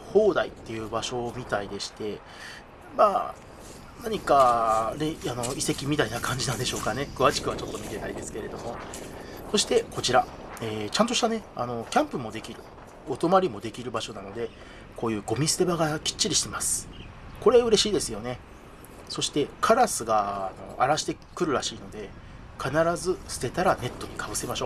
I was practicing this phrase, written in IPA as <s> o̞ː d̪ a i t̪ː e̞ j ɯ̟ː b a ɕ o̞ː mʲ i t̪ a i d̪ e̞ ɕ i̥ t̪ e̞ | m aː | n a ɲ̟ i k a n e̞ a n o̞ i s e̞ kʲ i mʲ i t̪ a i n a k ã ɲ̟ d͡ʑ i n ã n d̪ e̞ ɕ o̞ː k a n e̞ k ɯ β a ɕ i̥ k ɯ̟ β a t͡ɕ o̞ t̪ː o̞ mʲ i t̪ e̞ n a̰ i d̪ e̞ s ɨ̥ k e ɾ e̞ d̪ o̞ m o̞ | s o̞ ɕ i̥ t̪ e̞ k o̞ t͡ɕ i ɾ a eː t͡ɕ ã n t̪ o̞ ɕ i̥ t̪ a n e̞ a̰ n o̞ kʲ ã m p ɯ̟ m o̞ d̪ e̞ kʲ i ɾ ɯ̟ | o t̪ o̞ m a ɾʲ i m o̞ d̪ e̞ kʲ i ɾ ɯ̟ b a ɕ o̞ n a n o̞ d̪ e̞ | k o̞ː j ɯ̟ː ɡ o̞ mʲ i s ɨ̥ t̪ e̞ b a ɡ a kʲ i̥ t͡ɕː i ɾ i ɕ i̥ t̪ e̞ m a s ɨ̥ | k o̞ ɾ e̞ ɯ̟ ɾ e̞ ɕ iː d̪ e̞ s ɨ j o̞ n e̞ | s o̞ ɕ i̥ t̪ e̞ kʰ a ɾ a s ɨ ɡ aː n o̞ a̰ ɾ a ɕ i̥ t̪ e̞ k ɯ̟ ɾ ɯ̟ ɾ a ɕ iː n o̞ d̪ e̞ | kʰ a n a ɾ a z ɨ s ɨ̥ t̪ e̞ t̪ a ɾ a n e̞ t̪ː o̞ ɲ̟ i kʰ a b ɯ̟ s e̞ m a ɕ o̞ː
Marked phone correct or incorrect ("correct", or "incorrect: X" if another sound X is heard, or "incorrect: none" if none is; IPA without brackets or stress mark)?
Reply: incorrect: h